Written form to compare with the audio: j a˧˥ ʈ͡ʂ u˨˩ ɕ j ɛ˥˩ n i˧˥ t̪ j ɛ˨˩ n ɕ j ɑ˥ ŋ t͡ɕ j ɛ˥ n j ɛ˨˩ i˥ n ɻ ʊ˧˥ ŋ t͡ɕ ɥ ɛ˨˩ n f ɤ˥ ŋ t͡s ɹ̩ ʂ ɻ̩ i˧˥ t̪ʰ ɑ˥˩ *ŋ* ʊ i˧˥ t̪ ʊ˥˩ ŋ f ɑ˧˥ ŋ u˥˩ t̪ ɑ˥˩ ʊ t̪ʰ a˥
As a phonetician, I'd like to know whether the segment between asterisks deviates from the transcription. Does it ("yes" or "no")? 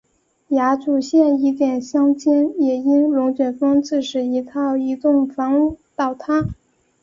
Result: yes